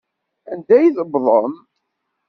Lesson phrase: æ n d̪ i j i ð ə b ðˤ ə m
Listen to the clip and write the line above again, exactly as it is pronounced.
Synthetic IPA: æ n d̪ æ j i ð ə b ðˤ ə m